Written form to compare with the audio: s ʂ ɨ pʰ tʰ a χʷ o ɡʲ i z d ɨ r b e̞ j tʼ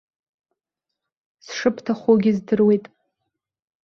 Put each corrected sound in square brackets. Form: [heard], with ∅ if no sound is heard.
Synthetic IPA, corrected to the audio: s ʂ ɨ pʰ tʰ a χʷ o ɡʲ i z d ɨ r [w] e̞ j tʼ